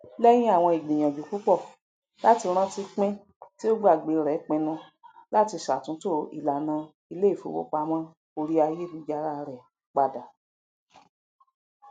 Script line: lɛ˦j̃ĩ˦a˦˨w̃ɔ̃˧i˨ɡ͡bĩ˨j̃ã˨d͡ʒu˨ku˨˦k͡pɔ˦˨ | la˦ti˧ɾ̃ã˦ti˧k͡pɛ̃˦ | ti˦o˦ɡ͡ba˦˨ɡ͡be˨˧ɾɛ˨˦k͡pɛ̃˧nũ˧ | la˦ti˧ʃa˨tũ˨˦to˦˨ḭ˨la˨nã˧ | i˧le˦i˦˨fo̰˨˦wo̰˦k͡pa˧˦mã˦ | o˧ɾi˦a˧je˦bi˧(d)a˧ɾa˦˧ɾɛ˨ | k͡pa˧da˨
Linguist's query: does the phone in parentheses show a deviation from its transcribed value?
yes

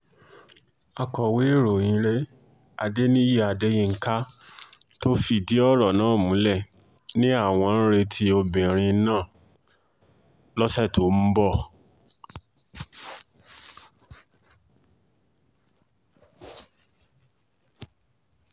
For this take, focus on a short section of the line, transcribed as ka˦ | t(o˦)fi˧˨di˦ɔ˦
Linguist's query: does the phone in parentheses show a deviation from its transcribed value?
no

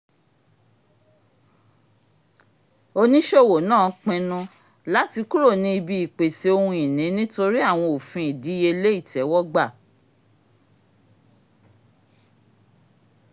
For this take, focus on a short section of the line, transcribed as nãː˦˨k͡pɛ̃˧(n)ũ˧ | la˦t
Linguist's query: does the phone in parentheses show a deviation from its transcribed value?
no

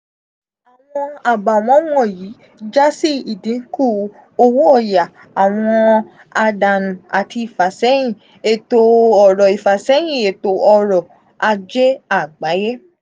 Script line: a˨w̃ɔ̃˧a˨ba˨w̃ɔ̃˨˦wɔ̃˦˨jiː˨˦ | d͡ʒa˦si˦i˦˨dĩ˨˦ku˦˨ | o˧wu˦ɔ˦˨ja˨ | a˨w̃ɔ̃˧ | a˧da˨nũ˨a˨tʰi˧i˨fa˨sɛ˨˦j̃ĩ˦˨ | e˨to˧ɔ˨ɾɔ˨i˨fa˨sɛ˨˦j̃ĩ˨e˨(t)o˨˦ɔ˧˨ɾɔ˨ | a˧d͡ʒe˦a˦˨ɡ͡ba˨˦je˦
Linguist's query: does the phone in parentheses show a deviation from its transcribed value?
no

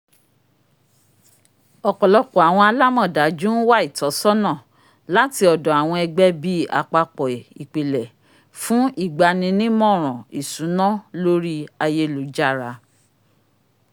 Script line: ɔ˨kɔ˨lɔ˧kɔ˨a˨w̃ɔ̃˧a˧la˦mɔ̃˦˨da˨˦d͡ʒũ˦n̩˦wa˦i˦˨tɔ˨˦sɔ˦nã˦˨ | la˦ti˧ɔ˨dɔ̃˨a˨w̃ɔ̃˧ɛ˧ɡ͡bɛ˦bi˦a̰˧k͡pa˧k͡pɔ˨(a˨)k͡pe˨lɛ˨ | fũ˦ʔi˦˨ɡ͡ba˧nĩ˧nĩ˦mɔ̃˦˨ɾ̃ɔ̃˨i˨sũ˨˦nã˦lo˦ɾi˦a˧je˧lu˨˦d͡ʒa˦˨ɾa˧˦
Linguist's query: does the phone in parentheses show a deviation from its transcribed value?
yes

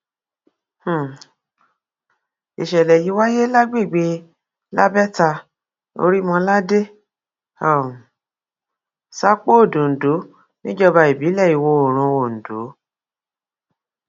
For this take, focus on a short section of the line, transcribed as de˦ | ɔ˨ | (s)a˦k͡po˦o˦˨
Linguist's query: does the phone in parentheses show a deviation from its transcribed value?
no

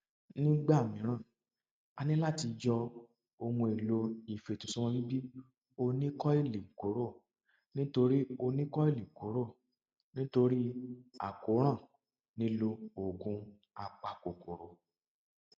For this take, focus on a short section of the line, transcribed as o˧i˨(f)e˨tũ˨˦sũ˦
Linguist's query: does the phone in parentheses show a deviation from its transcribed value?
no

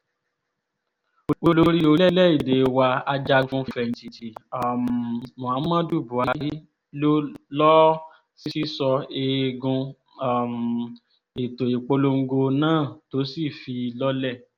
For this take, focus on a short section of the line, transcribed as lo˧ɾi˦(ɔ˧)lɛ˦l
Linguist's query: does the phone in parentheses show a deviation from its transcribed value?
yes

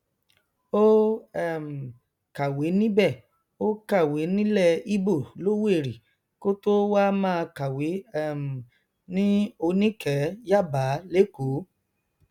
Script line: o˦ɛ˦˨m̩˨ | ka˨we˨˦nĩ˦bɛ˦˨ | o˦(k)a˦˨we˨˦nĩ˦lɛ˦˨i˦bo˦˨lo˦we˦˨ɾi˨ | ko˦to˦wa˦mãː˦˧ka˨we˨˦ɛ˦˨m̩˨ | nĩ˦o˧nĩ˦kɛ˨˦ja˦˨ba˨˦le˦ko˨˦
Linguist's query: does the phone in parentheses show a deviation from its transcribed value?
no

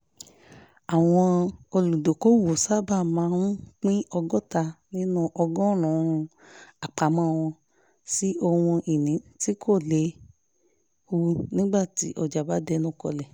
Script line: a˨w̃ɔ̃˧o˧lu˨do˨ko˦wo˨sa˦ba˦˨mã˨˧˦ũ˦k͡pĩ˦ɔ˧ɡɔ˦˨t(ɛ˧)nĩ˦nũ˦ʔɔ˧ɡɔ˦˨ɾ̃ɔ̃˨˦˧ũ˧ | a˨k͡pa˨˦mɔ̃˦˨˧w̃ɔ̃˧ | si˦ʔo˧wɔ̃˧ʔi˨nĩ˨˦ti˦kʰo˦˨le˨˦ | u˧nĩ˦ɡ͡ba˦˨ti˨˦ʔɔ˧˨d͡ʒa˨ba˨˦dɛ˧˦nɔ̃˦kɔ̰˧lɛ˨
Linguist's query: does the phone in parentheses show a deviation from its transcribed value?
yes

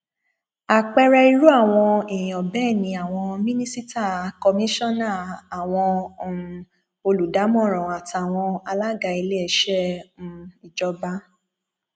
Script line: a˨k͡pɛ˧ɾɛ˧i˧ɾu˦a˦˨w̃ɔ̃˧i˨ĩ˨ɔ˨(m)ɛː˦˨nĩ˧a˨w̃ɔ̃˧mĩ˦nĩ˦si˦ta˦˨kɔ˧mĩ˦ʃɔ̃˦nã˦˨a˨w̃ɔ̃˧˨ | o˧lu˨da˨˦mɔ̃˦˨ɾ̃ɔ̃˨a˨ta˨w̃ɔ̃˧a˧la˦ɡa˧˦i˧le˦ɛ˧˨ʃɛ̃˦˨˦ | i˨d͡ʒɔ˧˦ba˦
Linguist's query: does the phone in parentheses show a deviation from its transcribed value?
yes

